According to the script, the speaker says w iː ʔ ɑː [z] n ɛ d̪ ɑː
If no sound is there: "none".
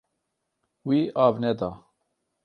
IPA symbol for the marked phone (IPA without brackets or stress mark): v